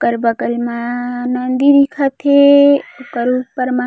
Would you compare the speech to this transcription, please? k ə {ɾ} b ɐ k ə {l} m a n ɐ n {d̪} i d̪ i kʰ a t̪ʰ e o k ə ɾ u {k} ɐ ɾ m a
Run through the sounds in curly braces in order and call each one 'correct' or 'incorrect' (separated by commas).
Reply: correct, correct, correct, incorrect